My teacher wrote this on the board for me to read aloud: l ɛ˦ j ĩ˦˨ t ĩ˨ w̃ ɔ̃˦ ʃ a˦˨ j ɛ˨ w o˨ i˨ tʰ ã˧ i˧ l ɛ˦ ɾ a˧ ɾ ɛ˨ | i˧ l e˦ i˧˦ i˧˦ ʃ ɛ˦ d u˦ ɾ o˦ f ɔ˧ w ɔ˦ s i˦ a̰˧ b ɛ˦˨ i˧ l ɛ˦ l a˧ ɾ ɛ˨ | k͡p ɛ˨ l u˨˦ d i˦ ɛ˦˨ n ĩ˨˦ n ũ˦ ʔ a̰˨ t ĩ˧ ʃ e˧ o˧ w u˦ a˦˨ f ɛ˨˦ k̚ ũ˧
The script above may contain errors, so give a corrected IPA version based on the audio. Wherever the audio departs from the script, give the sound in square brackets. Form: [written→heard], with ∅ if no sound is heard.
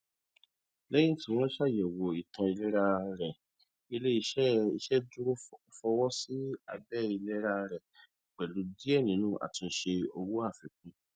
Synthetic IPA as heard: l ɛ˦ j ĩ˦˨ t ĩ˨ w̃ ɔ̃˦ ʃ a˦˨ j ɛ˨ w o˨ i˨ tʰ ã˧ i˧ l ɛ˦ ɾ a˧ ɾ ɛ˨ | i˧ l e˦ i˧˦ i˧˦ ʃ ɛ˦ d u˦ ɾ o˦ f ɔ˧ w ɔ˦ s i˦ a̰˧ b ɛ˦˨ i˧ l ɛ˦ [l→ɾ] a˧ ɾ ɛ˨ | k͡p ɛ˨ l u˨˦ d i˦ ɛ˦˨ n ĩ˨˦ n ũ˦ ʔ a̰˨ t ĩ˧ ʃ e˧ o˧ w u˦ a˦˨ f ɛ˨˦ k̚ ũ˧